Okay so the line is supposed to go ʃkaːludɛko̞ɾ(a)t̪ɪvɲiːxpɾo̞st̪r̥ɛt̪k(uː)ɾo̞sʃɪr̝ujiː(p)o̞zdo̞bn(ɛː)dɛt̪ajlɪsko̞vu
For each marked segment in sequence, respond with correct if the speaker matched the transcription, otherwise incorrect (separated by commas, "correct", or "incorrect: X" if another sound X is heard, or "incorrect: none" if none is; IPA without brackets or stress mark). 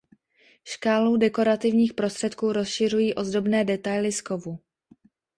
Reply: correct, correct, incorrect: ʔ, correct